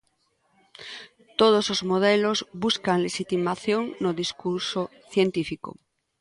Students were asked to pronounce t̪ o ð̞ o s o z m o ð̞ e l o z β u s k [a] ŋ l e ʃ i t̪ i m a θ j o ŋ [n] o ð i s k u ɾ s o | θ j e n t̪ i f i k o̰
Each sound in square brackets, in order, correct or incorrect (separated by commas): correct, correct